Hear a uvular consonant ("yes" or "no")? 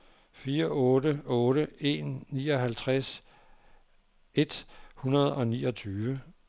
yes